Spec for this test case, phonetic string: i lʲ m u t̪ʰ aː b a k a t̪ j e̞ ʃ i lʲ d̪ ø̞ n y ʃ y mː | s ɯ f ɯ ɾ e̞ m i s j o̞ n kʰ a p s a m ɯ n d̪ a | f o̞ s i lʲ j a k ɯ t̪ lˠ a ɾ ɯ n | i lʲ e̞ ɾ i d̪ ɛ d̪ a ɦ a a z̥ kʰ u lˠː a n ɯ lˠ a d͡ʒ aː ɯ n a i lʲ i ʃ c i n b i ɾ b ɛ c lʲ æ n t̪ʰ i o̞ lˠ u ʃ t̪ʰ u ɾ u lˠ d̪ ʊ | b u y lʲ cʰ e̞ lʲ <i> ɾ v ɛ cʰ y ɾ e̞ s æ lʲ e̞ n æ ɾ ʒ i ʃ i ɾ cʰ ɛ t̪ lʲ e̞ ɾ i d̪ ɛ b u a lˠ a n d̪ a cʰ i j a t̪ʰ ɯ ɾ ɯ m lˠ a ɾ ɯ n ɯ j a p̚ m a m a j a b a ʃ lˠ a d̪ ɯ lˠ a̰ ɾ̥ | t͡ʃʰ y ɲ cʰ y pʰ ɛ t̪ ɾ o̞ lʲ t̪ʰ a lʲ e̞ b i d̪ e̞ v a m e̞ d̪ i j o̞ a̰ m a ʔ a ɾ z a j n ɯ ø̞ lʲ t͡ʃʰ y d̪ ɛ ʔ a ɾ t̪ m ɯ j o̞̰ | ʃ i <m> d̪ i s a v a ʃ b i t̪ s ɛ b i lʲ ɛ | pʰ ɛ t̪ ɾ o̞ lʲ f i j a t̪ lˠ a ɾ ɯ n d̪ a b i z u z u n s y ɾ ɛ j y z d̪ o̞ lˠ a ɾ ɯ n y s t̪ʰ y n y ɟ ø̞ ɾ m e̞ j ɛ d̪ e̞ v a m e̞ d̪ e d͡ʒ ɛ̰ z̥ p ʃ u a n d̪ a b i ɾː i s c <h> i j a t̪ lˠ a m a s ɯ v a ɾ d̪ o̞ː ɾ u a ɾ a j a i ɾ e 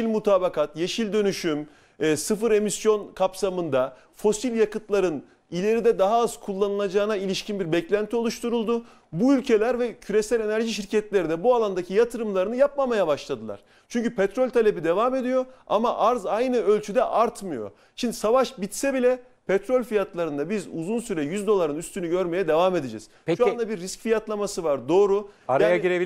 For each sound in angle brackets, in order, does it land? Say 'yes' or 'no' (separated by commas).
no, no, no